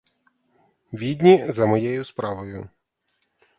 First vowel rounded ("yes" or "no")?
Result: no